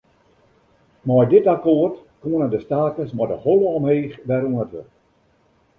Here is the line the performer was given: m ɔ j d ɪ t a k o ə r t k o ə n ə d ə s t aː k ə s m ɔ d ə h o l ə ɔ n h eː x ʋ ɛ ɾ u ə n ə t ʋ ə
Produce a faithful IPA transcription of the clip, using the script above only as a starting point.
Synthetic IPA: m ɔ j d ɪ t a k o ə r t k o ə n ə d ə s t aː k ə s m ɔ d ə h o l ə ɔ m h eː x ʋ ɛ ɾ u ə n ə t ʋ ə